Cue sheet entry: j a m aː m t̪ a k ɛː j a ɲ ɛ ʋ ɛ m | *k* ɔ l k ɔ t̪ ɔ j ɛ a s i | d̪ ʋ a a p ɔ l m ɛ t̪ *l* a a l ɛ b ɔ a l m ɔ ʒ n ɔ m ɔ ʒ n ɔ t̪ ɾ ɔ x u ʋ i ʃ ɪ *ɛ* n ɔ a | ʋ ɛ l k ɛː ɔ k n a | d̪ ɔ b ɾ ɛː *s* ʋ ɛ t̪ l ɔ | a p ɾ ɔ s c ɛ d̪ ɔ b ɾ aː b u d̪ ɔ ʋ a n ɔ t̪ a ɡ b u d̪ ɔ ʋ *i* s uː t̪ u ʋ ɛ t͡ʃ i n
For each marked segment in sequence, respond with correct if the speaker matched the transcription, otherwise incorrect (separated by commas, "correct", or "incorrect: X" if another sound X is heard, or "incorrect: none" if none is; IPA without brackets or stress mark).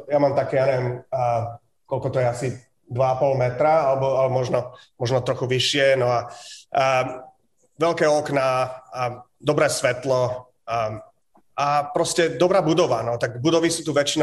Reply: correct, incorrect: ɾ, correct, correct, correct